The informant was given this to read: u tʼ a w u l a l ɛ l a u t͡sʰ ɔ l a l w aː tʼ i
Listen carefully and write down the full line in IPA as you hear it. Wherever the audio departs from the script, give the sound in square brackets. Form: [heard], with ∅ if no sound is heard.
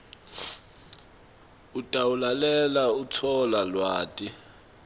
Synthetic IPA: u tʼ a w u l a l ɛ l a u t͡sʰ ɔ l a l w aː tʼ i